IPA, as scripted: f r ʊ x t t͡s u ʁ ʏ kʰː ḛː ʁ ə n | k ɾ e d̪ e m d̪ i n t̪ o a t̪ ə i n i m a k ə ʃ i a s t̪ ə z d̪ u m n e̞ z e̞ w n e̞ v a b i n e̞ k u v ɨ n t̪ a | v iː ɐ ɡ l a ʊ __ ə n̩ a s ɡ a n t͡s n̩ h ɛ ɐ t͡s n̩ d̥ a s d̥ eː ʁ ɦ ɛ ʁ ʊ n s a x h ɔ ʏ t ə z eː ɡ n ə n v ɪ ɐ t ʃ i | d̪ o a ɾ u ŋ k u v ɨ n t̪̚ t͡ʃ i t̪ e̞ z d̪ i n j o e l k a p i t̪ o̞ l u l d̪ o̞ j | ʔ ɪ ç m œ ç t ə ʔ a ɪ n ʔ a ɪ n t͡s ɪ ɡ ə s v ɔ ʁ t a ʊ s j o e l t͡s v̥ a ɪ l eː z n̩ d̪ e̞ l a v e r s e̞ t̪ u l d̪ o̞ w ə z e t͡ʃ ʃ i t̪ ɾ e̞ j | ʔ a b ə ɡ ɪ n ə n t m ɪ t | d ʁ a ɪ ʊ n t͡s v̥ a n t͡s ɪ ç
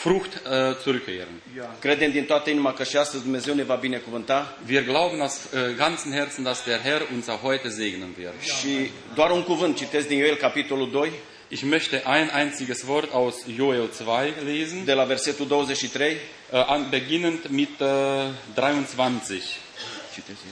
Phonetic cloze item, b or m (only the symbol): b